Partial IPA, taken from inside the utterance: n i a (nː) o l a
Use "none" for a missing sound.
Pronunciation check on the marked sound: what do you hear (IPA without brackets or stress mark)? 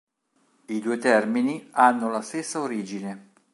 nː